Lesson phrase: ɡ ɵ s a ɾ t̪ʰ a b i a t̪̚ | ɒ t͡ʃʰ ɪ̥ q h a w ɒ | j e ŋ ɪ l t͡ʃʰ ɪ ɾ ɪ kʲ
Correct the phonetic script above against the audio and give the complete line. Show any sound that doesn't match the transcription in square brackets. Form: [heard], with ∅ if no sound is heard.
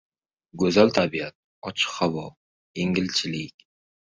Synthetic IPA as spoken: ɡ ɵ [z] a [l] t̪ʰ a b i a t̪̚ | ɒ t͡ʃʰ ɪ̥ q h a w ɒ | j e ŋ ɪ l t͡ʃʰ ɪ [l] ɪ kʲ